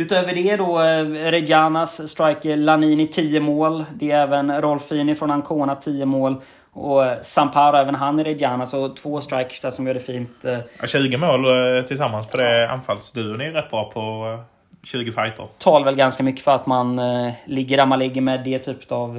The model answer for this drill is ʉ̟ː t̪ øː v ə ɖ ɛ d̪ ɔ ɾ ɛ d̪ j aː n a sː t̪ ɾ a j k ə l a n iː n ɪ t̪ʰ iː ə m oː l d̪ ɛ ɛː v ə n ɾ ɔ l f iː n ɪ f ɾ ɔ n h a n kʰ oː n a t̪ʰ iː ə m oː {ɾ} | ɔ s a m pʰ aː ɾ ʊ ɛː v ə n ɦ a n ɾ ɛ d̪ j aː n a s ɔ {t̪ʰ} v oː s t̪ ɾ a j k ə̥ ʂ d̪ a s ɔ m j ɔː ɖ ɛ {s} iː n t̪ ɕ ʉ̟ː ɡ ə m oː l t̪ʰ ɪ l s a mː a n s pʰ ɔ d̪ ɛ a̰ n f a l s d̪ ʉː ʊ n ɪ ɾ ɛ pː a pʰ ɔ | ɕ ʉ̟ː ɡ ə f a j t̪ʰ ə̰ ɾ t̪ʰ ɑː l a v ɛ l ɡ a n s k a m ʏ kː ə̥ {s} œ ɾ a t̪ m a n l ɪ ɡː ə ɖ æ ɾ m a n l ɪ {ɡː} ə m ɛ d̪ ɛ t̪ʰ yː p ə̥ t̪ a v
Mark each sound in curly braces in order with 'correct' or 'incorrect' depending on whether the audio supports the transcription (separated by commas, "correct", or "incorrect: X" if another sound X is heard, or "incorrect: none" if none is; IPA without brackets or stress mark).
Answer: incorrect: l, correct, incorrect: f, incorrect: f, correct